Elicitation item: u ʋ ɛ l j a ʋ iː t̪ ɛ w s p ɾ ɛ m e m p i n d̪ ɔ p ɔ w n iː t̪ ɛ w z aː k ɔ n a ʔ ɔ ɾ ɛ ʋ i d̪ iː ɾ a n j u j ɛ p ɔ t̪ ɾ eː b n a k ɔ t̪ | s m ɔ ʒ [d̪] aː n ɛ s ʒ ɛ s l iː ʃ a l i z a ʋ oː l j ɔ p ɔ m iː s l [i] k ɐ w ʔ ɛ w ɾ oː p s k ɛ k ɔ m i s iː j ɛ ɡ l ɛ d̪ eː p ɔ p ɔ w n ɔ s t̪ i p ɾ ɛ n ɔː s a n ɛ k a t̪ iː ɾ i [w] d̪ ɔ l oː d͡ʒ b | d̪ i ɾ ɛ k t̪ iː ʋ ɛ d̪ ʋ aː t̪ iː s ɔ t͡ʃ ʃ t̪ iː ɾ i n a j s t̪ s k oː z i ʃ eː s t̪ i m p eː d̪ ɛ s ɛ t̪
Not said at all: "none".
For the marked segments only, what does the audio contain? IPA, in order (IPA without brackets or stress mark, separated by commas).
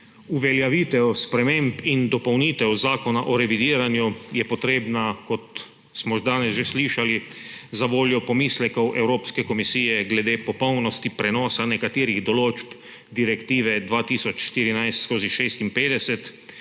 d̪, ɛ, ɣ